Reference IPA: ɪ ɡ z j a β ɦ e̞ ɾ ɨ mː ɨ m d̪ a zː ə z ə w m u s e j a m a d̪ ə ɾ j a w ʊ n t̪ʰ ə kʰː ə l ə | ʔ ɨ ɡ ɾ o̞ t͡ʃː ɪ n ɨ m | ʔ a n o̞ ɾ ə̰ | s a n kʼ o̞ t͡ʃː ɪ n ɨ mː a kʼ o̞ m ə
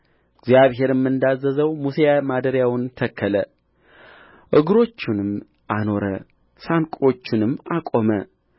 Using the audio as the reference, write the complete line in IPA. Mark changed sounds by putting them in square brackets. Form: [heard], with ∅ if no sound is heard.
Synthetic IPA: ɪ ɡ z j a β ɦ e̞ ɾ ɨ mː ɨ [n] d̪ a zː ə z ə w m u s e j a m a d̪ ə ɾ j a w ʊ n t̪ʰ ə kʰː ə l ə | ʔ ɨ ɡ ɾ o̞ t͡ʃː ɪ n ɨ m | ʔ a n o̞ ɾ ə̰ | s a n kʼ o̞ t͡ʃː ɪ n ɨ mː a kʼ o̞ m ə